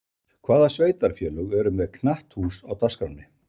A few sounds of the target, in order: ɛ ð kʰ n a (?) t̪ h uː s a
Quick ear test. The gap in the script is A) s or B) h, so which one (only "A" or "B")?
B